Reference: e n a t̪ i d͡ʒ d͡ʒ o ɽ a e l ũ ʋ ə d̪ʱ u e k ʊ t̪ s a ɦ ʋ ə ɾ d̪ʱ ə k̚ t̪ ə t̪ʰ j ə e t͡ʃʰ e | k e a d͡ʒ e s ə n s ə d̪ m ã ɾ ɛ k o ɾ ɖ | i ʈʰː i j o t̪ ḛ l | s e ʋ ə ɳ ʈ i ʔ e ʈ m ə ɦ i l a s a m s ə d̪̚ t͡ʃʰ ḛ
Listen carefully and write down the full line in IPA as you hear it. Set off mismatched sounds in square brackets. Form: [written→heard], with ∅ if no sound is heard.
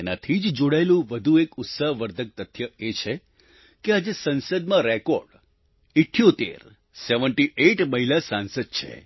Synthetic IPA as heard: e n a [t̪→t̪ʰ] i d͡ʒ d͡ʒ o ɽ a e l ũ ʋ ə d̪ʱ u e k ʊ t̪ s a ɦ ʋ ə ɾ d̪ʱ ə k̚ t̪ ə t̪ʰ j ə e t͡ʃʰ e | k e a d͡ʒ e s ə n s ə d̪ m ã ɾ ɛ k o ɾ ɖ | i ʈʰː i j o t̪ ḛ [l→ɾ] | s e ʋ ə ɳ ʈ i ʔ e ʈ m ə ɦ i l a s a [m→n] s ə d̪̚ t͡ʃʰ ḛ